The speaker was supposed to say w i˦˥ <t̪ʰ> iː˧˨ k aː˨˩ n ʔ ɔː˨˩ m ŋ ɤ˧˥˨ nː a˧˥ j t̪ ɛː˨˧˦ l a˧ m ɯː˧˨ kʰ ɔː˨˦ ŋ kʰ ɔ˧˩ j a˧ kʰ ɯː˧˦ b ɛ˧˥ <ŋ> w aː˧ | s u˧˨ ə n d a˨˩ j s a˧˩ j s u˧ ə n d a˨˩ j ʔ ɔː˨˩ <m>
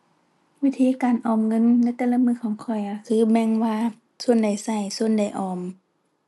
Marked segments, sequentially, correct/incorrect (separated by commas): correct, correct, correct